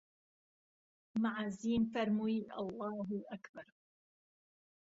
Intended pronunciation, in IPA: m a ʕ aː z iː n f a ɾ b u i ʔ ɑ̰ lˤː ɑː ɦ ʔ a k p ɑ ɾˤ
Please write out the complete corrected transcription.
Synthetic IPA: m a ʕ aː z iː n f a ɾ m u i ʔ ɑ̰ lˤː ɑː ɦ ʔ a k b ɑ ɾˤ